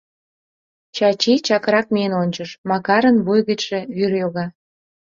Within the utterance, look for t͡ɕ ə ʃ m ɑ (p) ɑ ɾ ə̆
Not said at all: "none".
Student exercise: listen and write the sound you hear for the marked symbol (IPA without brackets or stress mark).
k